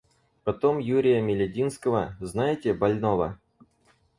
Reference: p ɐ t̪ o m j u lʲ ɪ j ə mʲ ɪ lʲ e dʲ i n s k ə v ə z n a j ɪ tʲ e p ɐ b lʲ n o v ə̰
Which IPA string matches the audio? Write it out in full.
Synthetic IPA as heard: p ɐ t̪ o m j u ɾʲ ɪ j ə mʲ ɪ lʲ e dʲ i n s k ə v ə z n a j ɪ tʲ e b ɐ lʲ n o v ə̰